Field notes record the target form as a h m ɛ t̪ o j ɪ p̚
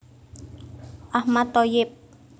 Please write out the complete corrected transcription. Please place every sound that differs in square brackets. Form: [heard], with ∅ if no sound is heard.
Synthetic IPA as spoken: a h m [a] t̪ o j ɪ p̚